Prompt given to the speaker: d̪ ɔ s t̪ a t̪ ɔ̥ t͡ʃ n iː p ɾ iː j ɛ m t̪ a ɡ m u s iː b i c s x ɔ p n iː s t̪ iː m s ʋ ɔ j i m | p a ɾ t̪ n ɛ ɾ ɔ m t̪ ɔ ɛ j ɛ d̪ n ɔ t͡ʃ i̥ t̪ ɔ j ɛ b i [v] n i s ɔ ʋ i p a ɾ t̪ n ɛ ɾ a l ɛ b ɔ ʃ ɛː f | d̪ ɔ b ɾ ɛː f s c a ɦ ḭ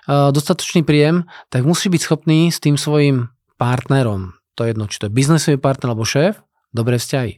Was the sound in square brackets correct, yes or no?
no